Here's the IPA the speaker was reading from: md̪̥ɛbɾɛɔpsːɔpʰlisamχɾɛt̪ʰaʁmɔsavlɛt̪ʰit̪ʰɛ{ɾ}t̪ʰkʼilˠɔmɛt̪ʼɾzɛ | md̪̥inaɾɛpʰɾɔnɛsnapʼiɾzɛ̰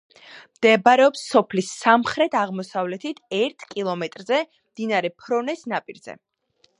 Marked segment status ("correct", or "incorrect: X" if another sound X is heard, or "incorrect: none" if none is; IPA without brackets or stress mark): correct